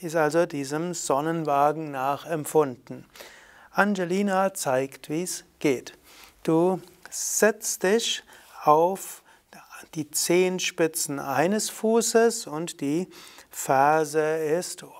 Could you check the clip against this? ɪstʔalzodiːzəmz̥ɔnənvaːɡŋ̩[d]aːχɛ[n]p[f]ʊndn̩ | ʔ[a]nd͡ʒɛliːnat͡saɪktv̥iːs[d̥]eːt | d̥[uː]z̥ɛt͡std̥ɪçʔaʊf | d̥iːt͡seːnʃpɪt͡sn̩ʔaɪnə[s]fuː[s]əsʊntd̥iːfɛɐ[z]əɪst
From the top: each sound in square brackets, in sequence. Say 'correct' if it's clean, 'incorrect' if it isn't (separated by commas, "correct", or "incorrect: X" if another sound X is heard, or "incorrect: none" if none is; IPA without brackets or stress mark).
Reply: incorrect: n, incorrect: m, correct, correct, incorrect: ɡ̥, correct, correct, correct, correct